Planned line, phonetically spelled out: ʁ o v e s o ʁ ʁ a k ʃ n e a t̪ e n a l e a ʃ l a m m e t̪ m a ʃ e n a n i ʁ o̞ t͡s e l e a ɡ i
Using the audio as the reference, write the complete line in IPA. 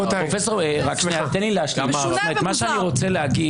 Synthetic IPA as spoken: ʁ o f e s o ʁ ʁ a k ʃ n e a t̪ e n i l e a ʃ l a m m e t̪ m a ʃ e a n i ʁ o̞ t͡s e l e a ɡ i